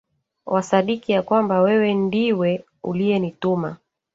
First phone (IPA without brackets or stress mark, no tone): w